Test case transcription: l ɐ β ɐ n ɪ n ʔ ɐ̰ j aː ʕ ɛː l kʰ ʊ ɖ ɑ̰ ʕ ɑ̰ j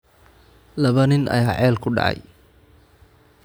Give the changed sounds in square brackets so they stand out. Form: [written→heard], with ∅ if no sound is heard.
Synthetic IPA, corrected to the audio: l ɐ β ɐ n ɪ n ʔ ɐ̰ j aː ʕ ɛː l kʰ ʊ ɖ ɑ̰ ʕ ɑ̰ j